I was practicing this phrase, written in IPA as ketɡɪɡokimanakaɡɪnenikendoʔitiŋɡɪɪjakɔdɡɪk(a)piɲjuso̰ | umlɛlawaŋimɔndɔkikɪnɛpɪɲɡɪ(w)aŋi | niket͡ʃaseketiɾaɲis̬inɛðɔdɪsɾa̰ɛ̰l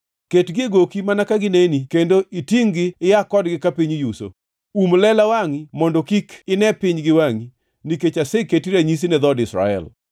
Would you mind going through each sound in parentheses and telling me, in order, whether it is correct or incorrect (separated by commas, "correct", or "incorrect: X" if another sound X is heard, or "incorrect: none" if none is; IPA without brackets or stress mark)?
correct, correct